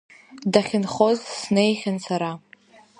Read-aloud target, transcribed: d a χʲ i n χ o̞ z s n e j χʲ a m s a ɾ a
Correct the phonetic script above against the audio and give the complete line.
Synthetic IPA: d a χʲ ɪ n χ o̞ z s n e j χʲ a n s a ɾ a